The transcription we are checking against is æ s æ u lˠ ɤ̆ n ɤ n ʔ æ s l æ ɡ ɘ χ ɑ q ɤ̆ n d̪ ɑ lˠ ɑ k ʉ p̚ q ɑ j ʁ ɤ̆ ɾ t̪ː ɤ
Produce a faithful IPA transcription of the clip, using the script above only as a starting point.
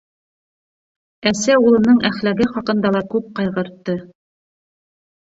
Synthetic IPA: æ s æ u lˠ ɤ̆ n ɤ ɴ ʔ æ χ l æ ɡ ɘ χ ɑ q ɤ̆ n d̪ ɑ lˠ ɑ k ʉ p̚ q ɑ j ʁ ɤ̆ ɾ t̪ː ɤ